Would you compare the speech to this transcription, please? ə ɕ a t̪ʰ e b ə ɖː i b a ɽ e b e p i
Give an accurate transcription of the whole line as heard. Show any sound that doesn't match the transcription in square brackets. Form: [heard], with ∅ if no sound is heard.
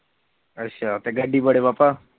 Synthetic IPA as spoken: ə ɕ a [t̪] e [ɡ] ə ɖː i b [ə] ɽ e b [a] p [a]